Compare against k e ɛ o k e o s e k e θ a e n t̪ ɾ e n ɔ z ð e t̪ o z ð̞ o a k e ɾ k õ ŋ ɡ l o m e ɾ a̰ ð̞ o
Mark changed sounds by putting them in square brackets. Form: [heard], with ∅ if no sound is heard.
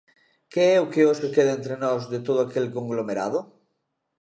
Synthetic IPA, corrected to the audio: k e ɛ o k e o s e k e [ð] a e n t̪ ɾ e n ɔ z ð e t̪ o [∅] ð̞ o a k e [l] k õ ŋ ɡ l o m e ɾ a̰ ð̞ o